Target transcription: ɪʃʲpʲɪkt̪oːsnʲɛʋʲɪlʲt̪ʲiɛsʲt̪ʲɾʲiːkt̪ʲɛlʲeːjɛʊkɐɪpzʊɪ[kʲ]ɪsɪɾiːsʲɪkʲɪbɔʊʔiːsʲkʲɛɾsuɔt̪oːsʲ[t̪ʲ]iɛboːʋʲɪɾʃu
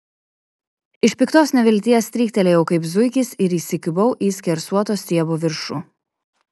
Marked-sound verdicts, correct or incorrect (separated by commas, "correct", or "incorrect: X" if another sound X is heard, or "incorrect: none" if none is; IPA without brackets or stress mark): correct, correct